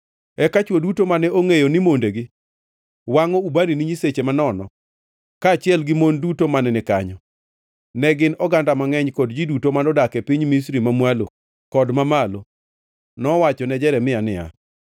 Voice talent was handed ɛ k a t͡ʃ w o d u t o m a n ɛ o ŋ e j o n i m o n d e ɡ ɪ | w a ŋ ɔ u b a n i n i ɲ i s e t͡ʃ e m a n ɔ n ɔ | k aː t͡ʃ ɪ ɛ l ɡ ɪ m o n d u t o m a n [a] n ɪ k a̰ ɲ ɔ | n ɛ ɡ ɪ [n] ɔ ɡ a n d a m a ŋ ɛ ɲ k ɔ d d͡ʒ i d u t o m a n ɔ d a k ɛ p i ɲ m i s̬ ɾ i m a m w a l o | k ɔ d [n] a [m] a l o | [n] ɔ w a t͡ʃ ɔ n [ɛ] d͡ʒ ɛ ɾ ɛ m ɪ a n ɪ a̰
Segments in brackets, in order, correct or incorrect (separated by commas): incorrect, correct, incorrect, correct, correct, correct